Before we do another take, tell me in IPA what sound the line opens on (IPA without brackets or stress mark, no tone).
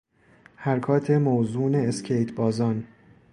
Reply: h